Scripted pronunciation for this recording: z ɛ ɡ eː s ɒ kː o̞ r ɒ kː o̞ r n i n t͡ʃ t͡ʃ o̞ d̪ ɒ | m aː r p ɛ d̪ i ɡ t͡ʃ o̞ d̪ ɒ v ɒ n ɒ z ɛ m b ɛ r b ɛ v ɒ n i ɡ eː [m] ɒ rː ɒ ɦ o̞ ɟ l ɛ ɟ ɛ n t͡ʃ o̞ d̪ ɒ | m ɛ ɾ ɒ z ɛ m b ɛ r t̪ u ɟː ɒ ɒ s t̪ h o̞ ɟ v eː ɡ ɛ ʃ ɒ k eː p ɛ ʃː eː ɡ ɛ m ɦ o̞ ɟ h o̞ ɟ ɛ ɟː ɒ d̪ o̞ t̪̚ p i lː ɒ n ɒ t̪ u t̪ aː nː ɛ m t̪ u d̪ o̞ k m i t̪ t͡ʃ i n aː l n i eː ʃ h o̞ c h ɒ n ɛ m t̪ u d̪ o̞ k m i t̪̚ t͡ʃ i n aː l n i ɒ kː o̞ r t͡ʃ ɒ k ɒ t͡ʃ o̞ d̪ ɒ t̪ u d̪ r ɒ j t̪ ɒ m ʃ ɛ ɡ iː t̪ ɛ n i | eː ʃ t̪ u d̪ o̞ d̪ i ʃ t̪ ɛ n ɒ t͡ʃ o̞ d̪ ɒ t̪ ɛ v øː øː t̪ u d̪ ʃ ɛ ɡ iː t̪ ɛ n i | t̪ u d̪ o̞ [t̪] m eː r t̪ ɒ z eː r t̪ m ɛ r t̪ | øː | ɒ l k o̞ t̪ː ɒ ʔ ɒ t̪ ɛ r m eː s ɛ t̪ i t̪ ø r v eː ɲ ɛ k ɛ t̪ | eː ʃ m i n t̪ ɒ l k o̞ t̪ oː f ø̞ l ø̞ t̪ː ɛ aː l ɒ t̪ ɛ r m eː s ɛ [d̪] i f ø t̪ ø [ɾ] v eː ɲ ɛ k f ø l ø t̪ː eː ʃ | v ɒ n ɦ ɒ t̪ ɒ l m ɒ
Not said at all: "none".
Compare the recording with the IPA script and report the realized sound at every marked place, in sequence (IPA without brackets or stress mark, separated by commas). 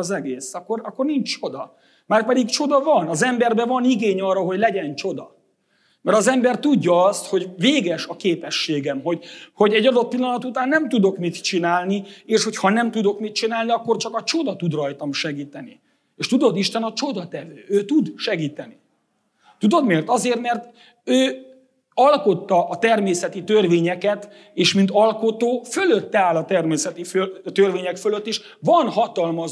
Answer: ɲ, d̪, t̪, r